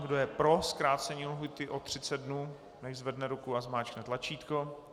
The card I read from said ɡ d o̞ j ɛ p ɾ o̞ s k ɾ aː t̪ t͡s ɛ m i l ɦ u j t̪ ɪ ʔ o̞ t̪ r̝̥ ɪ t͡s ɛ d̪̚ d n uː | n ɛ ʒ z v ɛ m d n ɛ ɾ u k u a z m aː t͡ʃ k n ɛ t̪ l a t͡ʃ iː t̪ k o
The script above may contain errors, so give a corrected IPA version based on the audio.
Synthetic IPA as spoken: ɡ d o̞ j ɛ p ɾ o̞ s k ɾ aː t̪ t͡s ɛ ɲ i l ɦ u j t̪ ɪ ʔ o̞ t̪ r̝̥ ɪ t͡s ɛ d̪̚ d n uː | n ɛ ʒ z v ɛ d n ɛ ɾ u k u a z m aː t͡ʃ k n ɛ t̪ l a t͡ʃ iː t̪ k o